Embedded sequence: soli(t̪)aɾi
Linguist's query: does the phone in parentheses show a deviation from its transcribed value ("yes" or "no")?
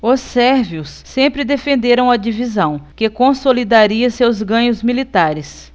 yes